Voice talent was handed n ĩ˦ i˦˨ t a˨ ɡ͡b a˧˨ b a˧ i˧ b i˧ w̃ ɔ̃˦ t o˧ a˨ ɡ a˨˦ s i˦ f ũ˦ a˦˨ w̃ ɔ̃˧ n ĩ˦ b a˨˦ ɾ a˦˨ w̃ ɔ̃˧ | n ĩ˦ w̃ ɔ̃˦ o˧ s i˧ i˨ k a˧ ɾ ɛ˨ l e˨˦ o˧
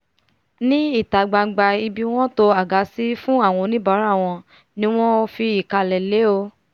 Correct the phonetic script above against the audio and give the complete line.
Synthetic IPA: n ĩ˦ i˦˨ t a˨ ɡ͡b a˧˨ ɡ͡b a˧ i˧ b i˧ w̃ ɔ̃˦ t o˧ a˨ ɡ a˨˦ s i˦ f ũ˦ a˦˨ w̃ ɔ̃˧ n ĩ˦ b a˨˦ ɾ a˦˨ w̃ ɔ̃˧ | n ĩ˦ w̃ ɔ̃˦ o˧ f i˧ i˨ k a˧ l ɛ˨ l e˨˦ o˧